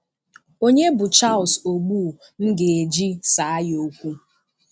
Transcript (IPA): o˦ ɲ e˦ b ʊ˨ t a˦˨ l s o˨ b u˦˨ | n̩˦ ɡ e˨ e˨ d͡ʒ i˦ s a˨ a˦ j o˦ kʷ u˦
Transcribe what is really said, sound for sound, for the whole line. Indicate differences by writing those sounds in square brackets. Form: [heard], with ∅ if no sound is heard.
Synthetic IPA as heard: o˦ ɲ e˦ b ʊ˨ [t͡ʃ] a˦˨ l s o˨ [ɡ͡b] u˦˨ | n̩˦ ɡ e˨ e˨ d͡ʒ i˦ s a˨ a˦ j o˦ kʷ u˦